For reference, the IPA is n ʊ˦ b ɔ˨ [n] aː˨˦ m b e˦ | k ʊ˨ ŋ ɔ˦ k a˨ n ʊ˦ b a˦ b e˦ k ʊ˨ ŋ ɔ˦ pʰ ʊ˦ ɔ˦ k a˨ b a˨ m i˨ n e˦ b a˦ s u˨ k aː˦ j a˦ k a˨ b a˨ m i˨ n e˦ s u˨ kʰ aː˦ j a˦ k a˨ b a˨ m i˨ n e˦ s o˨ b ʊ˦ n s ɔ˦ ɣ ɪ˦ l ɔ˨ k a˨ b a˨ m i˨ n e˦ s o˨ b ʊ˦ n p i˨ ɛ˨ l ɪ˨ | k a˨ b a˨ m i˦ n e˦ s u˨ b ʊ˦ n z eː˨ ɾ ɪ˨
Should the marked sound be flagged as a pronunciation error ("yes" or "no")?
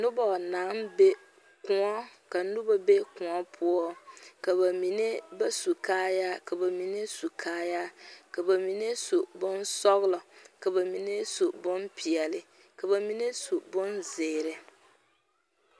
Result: no